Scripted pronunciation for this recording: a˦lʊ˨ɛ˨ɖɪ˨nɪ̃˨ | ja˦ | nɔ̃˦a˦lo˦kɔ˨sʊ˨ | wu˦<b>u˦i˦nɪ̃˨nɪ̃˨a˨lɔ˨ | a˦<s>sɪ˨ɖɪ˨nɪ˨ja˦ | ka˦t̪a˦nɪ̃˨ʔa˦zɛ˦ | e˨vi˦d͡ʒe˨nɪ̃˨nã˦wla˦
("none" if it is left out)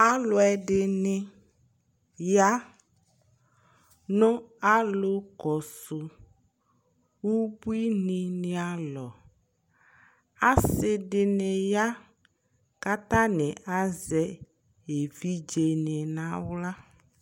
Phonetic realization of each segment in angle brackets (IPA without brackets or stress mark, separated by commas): b, s